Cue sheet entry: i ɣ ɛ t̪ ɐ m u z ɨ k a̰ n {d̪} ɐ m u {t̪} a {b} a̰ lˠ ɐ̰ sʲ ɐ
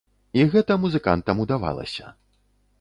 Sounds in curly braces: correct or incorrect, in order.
incorrect, incorrect, incorrect

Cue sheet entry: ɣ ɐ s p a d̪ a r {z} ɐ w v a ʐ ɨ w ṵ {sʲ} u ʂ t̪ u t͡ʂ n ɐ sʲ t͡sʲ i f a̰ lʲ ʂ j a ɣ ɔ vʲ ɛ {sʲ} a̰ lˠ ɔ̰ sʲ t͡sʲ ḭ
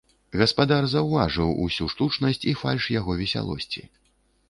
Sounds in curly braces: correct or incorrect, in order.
correct, correct, correct

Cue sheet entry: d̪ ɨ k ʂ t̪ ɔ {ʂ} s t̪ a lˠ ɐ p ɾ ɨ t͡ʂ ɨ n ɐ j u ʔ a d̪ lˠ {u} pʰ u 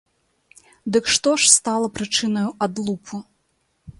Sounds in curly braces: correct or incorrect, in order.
correct, correct

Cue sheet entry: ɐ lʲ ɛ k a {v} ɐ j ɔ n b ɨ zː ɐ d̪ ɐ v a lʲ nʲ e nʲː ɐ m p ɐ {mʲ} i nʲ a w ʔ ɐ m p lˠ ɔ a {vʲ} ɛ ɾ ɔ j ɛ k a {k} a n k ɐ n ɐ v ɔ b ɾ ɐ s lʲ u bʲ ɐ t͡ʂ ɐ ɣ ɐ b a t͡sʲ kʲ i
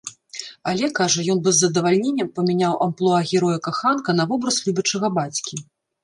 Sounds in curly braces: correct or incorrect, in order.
incorrect, correct, incorrect, incorrect

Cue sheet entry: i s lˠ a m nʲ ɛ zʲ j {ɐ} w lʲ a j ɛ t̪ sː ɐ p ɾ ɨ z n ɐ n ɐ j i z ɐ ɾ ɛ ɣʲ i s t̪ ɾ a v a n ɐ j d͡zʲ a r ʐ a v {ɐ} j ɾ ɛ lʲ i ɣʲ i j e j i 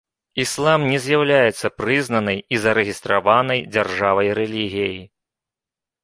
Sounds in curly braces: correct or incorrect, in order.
incorrect, correct

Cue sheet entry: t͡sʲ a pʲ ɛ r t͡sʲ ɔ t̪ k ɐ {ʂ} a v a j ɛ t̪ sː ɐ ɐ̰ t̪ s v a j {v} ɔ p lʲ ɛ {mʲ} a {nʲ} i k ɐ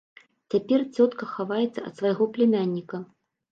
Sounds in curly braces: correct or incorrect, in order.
incorrect, incorrect, correct, incorrect

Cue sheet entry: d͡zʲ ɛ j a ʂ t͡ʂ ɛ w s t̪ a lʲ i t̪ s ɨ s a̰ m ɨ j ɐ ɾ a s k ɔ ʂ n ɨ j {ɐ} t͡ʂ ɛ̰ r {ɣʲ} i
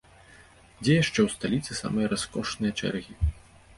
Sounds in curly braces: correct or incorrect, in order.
correct, correct

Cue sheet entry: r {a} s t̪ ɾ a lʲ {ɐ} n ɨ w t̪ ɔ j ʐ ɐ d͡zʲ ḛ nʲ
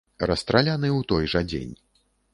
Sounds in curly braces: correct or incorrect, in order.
incorrect, incorrect

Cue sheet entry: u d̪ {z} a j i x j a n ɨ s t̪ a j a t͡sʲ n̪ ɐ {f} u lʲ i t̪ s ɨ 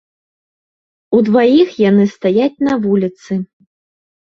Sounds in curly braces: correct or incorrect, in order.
incorrect, incorrect

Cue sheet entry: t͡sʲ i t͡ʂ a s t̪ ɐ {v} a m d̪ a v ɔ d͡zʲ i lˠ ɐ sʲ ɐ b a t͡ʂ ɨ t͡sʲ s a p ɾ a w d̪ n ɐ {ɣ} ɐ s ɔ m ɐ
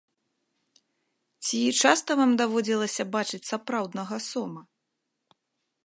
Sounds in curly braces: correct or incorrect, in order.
correct, correct

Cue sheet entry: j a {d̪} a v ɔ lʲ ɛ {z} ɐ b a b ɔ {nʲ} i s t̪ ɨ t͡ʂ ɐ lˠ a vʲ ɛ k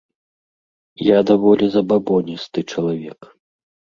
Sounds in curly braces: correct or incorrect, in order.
correct, correct, correct

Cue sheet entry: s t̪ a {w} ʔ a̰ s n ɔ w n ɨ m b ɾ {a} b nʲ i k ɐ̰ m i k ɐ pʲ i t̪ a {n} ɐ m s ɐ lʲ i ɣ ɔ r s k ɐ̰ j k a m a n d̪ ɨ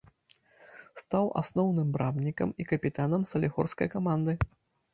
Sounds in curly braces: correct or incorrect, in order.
correct, correct, correct

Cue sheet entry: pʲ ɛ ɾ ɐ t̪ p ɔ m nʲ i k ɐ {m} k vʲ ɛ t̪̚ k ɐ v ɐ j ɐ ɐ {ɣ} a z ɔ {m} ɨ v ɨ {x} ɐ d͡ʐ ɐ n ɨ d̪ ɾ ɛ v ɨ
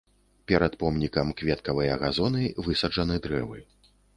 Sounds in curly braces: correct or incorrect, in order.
correct, correct, incorrect, incorrect

